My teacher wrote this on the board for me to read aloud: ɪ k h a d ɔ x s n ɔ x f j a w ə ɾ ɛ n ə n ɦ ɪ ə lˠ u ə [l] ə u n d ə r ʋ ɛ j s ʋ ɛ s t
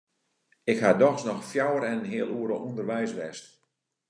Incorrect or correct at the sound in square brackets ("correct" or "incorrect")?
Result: incorrect